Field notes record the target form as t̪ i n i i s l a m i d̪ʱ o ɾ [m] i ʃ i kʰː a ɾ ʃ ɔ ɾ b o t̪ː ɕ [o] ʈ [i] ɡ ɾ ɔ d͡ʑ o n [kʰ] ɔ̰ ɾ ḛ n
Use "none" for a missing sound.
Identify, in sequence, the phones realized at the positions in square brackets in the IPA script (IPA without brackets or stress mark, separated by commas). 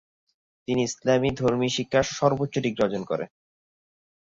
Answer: m, o, i, k